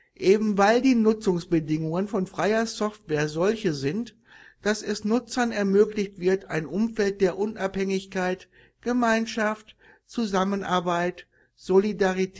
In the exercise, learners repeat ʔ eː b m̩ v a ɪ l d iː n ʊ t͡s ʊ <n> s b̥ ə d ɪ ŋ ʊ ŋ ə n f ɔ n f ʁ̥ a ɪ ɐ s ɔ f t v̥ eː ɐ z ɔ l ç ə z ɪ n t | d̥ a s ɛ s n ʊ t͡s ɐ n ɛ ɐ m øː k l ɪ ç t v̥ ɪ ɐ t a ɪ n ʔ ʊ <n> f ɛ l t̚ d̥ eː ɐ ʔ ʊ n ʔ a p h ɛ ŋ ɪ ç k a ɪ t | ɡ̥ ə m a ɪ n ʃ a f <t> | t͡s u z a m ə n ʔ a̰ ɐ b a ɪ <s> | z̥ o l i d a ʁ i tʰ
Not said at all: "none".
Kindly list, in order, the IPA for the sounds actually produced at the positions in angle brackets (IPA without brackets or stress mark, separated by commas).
ŋ, m, t, t